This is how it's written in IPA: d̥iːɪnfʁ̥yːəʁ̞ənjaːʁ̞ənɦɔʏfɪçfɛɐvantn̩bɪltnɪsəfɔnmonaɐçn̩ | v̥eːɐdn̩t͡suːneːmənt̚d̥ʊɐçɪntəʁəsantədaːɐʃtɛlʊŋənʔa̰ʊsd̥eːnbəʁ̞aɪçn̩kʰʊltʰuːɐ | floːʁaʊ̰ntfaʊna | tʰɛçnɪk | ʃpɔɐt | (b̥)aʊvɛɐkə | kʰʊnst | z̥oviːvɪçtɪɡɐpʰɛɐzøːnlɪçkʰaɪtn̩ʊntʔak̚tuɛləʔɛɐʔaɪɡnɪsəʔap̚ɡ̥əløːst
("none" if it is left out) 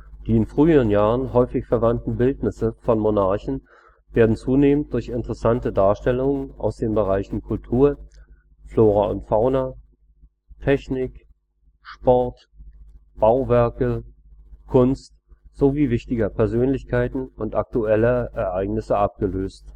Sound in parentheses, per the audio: b̥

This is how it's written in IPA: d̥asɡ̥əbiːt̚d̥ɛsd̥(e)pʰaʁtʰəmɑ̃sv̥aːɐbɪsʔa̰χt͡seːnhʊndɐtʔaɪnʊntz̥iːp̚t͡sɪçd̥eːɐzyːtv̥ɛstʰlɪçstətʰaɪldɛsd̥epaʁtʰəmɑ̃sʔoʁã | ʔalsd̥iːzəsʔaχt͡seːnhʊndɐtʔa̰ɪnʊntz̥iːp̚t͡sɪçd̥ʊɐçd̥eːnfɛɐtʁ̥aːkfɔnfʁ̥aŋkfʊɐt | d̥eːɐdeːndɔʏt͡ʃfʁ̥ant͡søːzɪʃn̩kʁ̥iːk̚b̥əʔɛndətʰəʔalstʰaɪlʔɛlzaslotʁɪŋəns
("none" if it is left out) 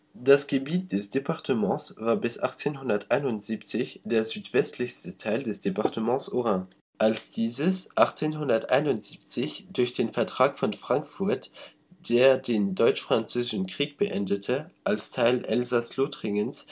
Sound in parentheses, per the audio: e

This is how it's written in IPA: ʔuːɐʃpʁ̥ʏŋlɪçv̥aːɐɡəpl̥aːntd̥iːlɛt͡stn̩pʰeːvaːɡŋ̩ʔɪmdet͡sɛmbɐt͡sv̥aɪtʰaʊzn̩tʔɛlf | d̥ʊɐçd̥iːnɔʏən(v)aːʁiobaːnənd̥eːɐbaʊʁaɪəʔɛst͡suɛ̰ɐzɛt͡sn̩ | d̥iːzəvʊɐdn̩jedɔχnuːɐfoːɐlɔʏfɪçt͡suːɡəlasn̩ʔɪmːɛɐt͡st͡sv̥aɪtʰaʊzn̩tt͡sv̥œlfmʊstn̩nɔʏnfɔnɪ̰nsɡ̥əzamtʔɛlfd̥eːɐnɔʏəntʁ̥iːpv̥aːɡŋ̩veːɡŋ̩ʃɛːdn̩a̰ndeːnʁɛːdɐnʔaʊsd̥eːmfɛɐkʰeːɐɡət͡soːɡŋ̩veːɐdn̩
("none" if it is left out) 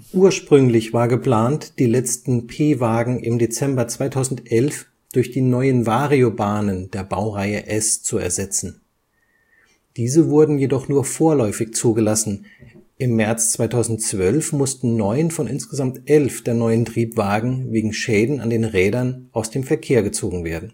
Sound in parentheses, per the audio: v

